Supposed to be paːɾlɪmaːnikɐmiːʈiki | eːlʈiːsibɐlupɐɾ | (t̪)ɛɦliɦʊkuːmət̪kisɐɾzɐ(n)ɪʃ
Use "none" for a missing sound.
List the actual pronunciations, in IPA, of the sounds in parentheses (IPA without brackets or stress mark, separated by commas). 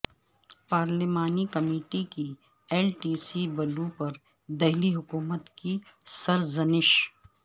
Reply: d̪, n